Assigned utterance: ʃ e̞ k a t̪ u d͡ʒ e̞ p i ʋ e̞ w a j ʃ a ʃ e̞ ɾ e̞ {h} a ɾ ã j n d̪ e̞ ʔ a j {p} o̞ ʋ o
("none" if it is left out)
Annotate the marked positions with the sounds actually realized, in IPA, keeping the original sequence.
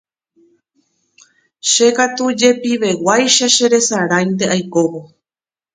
s, k

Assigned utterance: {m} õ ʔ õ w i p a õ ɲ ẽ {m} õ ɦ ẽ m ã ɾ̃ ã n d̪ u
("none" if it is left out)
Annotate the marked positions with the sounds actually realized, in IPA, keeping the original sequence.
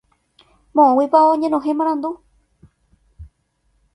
m, n

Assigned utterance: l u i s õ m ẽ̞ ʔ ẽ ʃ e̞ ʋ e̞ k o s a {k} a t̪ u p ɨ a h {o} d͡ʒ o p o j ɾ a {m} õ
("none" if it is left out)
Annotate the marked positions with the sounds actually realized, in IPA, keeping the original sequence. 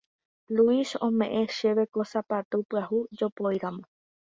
p, u, m

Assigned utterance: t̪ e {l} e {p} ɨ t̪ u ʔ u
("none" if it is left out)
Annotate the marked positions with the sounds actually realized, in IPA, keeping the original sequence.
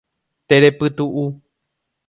ɾ, p

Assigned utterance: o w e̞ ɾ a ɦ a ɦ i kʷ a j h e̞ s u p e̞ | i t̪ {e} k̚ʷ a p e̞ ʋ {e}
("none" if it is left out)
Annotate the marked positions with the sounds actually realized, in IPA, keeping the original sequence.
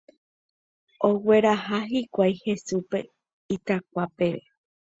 a, e

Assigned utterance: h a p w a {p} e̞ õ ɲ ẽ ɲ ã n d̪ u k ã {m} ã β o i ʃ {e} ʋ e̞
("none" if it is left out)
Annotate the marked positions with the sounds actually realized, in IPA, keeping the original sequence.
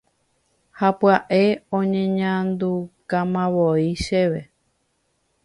ʔ, m, e

